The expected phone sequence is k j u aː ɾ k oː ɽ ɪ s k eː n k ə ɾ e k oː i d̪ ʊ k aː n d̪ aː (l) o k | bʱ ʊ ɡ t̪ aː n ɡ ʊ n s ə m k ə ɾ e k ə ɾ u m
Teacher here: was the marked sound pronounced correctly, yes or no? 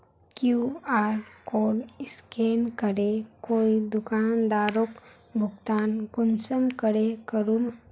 no